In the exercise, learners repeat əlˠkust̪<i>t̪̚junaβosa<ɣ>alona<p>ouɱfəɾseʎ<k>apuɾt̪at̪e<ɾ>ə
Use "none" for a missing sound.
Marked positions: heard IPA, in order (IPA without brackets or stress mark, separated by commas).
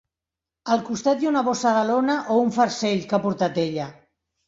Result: a, ð, ʔ, k, ʎ